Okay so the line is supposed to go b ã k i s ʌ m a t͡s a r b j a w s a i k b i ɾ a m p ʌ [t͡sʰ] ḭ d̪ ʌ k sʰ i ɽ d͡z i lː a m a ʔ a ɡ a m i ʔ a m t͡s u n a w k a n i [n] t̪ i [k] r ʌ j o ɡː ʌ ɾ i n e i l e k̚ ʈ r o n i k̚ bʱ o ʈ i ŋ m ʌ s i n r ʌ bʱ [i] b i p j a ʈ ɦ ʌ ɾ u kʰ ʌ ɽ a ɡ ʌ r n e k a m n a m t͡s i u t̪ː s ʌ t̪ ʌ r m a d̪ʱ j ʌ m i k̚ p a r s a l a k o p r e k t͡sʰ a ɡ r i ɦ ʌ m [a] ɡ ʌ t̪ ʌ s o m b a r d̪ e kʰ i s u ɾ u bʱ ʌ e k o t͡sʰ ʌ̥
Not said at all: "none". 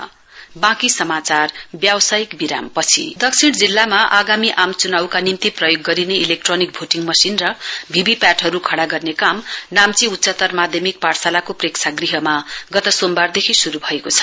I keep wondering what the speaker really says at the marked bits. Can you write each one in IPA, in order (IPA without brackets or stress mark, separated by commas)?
t͡sʰ, m, p, i, a